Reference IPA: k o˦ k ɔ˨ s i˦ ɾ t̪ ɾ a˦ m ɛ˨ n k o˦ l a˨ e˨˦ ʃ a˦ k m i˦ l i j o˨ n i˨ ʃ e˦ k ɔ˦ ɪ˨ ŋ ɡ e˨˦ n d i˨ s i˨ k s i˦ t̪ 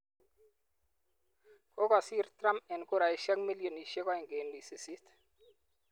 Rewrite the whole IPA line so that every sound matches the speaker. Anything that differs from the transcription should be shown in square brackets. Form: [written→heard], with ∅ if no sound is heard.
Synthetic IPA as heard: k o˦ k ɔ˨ s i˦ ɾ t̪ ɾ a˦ m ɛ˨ n k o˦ [l→ɾ] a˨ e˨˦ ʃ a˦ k m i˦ l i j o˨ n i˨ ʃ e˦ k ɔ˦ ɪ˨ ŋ ɡ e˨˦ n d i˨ s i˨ [k→∅] s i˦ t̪